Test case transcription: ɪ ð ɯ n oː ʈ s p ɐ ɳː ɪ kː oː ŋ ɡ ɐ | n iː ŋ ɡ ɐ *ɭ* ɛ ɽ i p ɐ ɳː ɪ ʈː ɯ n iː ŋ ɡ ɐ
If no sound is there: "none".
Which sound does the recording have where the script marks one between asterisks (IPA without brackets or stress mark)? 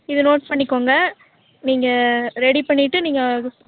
ɾ